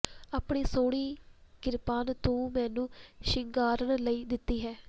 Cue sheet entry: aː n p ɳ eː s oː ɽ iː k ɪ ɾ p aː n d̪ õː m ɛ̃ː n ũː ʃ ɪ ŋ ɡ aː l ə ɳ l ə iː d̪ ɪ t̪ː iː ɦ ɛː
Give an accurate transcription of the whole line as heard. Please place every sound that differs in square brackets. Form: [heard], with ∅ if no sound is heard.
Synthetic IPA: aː [∅] p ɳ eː s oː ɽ iː k ɪ ɾ p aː n [t̪] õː m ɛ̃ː n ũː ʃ ɪ ŋ ɡ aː [ɾ] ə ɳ l ə iː d̪ ɪ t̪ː iː ɦ ɛː